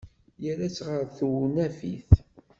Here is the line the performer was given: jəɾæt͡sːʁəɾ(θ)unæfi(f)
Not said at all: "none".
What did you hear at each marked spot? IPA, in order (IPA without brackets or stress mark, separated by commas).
θ, θ